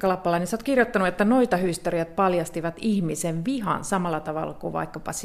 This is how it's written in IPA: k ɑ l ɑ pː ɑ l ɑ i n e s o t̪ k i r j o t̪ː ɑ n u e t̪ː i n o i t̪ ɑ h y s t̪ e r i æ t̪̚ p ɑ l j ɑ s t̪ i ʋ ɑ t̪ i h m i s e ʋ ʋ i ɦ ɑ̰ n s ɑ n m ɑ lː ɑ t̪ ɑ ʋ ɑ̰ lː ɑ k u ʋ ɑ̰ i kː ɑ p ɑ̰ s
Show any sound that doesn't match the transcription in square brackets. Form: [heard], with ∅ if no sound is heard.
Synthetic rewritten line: k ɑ l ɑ pː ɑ l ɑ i n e s o t̪ k i r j o t̪ː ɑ n u e t̪ː [æ] n o i t̪ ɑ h y s t̪ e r i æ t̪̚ p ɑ l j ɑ s t̪ i ʋ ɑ t̪ i h m i s e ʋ ʋ i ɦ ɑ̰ n s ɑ [∅] m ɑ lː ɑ t̪ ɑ ʋ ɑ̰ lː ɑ k u ʋ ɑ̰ i kː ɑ p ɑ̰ s